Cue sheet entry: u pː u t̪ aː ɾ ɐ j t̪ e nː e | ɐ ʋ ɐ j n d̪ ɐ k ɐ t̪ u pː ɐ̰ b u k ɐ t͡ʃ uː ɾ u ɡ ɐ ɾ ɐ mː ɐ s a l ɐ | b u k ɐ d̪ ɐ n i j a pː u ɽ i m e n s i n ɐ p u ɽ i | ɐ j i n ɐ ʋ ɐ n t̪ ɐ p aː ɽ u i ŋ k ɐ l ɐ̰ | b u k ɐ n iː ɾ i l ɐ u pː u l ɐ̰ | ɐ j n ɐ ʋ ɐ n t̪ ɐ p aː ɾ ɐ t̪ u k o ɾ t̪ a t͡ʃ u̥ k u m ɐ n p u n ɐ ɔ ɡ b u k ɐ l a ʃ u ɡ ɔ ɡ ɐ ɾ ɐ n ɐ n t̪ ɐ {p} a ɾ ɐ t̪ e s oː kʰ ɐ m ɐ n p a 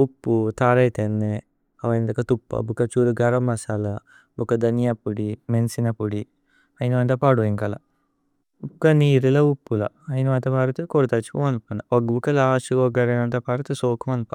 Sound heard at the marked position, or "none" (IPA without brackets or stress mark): p